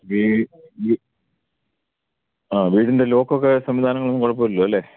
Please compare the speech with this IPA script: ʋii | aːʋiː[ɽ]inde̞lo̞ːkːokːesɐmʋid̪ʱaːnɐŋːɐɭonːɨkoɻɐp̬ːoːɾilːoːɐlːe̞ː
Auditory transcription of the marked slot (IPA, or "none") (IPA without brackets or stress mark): ɽ